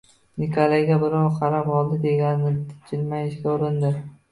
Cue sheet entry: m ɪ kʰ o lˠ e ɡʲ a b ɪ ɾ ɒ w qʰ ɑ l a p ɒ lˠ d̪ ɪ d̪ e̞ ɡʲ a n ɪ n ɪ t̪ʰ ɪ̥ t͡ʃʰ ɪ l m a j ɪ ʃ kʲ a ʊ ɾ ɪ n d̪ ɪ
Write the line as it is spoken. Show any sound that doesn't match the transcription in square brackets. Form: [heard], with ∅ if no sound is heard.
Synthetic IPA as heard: [n] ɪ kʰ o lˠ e ɡʲ a b ɪ ɾ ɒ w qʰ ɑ [ɾ] a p ɒ lˠ d̪ ɪ d̪ e̞ ɡʲ a n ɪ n ɪ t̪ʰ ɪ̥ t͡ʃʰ ɪ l m a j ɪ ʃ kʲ a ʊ ɾ ɪ n d̪ ɪ